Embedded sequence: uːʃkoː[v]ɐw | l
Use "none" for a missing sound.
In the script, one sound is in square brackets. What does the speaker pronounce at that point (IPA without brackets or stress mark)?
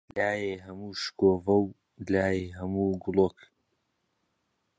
v